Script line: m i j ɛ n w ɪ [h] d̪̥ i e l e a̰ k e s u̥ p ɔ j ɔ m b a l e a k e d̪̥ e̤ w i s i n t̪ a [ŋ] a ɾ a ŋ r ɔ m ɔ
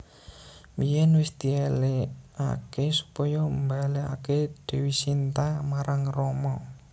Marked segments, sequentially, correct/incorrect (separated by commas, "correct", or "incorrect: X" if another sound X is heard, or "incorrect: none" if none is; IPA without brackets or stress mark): incorrect: s, incorrect: m